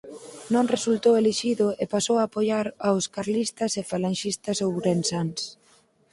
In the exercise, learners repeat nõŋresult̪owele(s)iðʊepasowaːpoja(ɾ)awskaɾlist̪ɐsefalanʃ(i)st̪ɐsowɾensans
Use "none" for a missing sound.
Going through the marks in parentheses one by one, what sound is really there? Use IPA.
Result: ʃ, ɾ, i

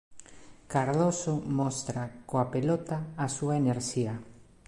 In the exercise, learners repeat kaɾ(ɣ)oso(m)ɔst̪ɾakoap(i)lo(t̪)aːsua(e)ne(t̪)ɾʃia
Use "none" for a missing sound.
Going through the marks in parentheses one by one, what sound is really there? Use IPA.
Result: ð, m, e, t̪, e, none

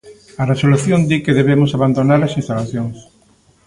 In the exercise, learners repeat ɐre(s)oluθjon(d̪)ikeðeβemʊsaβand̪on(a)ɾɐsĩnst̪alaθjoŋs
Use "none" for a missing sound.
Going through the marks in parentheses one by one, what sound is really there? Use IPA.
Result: s, d̪, a

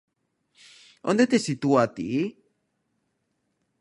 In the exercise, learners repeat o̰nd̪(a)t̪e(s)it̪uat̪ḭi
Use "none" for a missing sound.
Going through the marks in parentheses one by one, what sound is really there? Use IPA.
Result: e, s

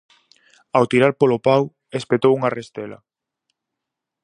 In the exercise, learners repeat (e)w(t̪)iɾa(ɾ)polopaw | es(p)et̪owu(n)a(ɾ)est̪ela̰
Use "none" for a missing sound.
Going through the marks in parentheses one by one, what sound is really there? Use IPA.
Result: a, t̪, ɾ, p, ŋ, r

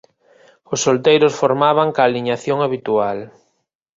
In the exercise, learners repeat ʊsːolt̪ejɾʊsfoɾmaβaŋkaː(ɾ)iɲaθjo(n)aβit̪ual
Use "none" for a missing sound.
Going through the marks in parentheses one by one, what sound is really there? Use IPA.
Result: l, ŋ

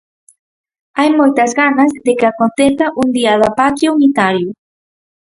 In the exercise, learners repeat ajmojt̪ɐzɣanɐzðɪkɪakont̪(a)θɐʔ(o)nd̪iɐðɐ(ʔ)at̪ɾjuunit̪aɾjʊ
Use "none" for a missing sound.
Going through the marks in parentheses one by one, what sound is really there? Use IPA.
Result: e, u, p

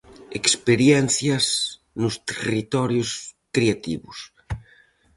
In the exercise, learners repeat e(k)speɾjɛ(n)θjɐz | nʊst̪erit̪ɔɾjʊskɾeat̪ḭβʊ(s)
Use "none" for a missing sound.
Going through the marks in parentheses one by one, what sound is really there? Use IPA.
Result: k, n, s

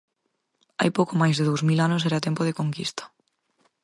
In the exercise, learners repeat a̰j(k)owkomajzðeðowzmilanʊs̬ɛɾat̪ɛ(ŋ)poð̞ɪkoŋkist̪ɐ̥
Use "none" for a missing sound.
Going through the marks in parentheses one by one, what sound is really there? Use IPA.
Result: p, m

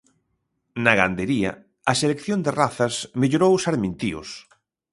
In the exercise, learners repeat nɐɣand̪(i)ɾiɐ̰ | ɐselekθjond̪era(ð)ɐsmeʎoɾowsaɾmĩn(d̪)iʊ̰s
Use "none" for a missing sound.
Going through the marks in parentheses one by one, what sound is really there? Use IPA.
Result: e, θ, t̪

